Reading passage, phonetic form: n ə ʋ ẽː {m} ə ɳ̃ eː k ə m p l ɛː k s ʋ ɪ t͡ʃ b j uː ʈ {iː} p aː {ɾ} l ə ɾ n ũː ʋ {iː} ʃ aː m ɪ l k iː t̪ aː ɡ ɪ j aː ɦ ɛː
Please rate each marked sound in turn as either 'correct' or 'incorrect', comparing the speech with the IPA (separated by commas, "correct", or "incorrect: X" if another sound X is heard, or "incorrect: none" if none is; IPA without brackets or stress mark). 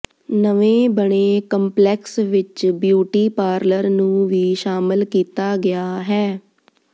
incorrect: b, correct, correct, correct